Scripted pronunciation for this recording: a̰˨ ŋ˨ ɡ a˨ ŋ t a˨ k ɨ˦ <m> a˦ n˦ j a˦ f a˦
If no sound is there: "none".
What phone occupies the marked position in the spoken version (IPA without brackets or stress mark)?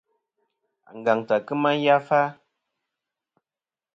m